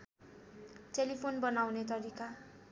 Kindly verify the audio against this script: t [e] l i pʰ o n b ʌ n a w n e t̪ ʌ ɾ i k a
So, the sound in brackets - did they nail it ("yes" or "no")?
yes